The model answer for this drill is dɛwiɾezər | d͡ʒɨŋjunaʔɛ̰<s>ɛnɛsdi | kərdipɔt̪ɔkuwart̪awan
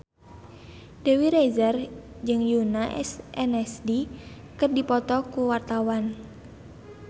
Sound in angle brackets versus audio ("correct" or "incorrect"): correct